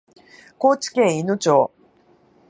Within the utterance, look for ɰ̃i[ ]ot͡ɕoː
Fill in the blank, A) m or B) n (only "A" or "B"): B